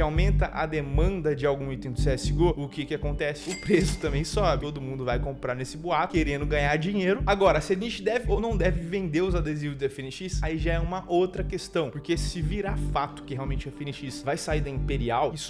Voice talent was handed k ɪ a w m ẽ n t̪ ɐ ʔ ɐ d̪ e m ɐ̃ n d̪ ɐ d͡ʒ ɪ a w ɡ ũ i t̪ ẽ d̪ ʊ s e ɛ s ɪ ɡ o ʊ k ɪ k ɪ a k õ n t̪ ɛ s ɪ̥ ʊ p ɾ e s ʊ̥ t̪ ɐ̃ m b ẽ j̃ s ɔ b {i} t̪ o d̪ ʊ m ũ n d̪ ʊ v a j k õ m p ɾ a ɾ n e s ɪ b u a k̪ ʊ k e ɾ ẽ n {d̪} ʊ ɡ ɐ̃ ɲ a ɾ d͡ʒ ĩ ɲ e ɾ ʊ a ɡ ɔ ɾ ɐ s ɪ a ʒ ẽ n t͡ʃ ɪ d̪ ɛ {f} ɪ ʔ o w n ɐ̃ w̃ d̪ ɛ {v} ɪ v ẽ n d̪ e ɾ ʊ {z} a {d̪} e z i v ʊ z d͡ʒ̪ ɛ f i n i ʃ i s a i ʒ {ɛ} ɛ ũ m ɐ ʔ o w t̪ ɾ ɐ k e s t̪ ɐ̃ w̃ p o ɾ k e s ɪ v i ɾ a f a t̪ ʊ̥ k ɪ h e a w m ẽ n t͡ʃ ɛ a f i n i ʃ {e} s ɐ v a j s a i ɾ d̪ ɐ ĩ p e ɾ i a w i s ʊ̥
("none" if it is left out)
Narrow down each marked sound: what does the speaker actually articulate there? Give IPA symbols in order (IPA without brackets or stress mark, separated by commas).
ɪ, d̪, v, v, z, d̪, a, i